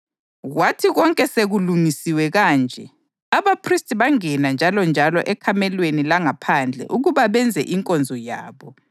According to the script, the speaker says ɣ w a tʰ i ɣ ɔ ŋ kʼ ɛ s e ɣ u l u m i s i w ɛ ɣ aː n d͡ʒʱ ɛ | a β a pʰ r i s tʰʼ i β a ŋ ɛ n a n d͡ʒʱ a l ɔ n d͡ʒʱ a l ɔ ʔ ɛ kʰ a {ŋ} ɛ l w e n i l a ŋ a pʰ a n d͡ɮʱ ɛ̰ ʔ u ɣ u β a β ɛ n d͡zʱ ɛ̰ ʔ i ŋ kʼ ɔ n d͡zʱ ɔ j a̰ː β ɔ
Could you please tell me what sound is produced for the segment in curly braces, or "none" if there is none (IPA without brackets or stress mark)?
m